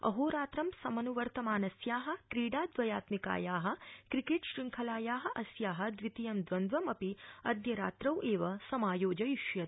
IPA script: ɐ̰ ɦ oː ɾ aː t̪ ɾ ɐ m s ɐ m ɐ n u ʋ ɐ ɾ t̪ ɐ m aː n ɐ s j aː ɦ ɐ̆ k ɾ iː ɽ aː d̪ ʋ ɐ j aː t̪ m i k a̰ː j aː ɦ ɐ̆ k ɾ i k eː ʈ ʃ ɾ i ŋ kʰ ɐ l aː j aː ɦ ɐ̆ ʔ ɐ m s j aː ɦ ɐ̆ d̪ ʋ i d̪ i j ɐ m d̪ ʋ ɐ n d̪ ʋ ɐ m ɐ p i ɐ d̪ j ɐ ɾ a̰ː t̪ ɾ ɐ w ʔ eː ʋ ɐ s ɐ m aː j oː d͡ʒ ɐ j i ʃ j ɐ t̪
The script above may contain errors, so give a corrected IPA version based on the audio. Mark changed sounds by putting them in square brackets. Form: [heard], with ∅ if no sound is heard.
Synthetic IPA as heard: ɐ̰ ɦ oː ɾ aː t̪ ɾ ɐ m s ɐ m ɐ n u ʋ ɐ ɾ t̪ ɐ m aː n ɐ s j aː ɦ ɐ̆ k ɾ iː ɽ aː d̪ ʋ ɐ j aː t̪ m i k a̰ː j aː ɦ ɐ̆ k ɾ i k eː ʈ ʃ ɾ i ŋ kʰ ɐ l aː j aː ɦ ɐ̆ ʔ ɐ [∅] s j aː ɦ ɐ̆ d̪ ʋ i [t̪] i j ɐ m d̪ ʋ ɐ n d̪ ʋ ɐ m ɐ p i ɐ d̪ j ɐ ɾ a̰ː t̪ ɾ ɐ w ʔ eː ʋ ɐ s ɐ m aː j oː d͡ʒ ɐ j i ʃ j ɐ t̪

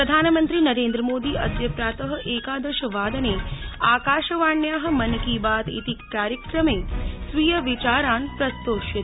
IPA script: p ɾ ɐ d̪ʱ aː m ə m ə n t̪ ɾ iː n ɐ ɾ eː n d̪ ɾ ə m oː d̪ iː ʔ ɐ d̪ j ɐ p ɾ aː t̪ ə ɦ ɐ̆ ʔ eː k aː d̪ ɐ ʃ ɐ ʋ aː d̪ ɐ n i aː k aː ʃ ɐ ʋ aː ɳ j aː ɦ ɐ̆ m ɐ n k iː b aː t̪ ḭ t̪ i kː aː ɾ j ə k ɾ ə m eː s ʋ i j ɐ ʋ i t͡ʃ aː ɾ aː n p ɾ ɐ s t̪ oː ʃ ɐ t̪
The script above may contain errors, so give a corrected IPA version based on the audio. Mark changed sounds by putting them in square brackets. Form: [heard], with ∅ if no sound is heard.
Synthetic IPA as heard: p ɾ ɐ d̪ʱ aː [n] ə m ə n t̪ ɾ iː n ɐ ɾ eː n d̪ ɾ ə m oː d̪ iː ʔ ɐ d̪ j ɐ p ɾ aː t̪ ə ɦ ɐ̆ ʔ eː k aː d̪ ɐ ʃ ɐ ʋ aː d̪ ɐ n [e] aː k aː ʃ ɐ ʋ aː ɳ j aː ɦ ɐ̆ m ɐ n k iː b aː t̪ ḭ t̪ i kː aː ɾ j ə k ɾ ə m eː s ʋ i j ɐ ʋ i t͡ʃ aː ɾ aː n p ɾ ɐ s t̪ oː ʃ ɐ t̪

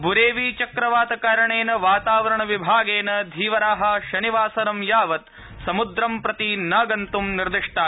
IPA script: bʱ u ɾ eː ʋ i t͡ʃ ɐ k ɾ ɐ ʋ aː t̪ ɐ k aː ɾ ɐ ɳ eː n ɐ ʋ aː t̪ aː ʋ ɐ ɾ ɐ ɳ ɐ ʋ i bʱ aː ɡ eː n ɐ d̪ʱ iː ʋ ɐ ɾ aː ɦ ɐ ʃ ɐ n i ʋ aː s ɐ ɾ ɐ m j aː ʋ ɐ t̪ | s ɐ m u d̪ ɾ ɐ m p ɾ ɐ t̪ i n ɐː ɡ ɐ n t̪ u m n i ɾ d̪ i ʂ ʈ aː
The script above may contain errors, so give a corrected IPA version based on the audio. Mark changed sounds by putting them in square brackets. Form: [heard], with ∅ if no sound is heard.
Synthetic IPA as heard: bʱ u ɾ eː ʋ i t͡ʃ ɐ k ɾ ɐ ʋ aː t̪ ɐ k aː ɾ ɐ ɳ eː n ɐ ʋ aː t̪ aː ʋ ɐ ɾ ɐ ɳ ɐ ʋ i bʱ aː ɡ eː n ɐ d̪ʱ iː ʋ ɐ ɾ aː ɦ ɐ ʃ ɐ n i ʋ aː s ɐ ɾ ɐ m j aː ʋ ɐ t̪ | s ɐ m u d̪ ɾ ɐ m p ɾ ɐ t̪ i n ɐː ɡ ɐ n t̪ u m n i ɾ d̪ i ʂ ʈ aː

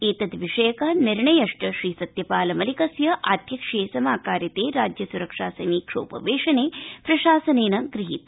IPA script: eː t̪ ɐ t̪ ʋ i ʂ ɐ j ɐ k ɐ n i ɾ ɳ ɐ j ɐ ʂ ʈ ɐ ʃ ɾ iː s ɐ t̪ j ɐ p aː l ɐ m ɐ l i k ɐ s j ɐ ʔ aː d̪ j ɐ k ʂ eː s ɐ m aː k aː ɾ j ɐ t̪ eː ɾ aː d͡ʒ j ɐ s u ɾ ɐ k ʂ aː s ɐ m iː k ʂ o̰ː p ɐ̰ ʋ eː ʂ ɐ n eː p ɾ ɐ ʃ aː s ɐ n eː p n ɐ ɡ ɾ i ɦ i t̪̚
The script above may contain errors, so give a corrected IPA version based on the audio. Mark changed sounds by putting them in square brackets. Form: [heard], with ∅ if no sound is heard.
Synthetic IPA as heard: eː t̪ ɐ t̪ ʋ i ʂ ɐ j ɐ k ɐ n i ɾ ɳ ɐ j ɐ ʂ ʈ ɐ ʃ ɾ iː s ɐ t̪ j ɐ p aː l ɐ m ɐ l i k ɐ s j ɐ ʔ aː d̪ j ɐ k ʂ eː s ɐ m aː k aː ɾ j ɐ t̪ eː ɾ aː d͡ʒ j ɐ s u ɾ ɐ k ʂ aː s ɐ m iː k ʂ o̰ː p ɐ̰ ʋ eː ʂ ɐ n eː p ɾ ɐ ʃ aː s ɐ n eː [∅] n ɐ ɡ ɾ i ɦ i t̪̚

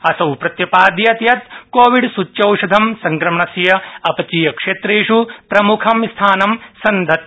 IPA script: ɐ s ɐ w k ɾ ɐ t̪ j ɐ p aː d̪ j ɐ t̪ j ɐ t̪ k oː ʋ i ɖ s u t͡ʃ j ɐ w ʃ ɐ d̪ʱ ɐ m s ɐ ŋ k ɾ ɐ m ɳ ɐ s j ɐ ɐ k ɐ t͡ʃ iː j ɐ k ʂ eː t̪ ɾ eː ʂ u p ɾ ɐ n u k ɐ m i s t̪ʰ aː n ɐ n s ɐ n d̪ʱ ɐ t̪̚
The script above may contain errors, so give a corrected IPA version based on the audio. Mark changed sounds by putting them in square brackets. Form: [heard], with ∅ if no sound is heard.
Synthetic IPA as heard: ɐ s ɐ w [p] ɾ ɐ t̪ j ɐ p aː d̪ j ɐ t̪ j ɐ t̪ k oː ʋ i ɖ s u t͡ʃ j ɐ w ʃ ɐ d̪ʱ ɐ m s ɐ ŋ k ɾ ɐ m ɳ ɐ s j ɐ ɐ [p] ɐ t͡ʃ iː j ɐ k ʂ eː t̪ ɾ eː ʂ u p ɾ ɐ [m] u [kʰ] ɐ m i s t̪ʰ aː n ɐ [m] s ɐ n d̪ʱ ɐ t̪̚

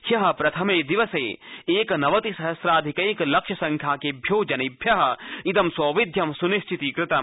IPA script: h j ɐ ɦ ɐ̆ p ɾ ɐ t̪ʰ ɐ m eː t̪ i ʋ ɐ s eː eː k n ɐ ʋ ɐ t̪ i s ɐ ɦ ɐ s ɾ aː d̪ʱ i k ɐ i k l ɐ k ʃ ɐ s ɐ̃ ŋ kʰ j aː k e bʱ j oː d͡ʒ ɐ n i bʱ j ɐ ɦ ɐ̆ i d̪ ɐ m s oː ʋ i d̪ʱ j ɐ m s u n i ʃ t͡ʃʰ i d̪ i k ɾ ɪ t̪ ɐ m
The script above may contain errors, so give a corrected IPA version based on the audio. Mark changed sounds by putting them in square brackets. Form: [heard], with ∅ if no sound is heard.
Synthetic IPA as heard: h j ɐ ɦ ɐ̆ p ɾ ɐ t̪ʰ ɐ m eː [d̪] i ʋ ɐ s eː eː k n ɐ ʋ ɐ t̪ i s ɐ ɦ ɐ s ɾ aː d̪ʱ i k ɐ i k l ɐ k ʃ ɐ s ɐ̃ ŋ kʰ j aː k e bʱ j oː d͡ʒ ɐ n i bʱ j ɐ ɦ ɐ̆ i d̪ ɐ m s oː ʋ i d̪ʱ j ɐ m s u n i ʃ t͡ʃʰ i [t̪] i k ɾ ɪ t̪ ɐ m

